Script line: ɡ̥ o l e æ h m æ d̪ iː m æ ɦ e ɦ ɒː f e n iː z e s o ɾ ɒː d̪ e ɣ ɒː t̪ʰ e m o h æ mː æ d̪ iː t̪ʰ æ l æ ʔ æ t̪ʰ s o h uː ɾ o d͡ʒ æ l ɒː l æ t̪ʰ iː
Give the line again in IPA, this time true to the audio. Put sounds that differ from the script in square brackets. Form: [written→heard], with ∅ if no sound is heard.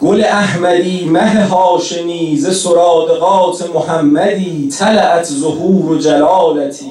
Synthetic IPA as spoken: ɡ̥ o l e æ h m æ d̪ iː m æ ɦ e ɦ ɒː [f→ʃ] e n iː z e s o ɾ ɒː d̪ e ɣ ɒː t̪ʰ e m o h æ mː æ d̪ iː t̪ʰ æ l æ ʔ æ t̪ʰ [s→z] o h uː ɾ o d͡ʒ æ l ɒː l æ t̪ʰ iː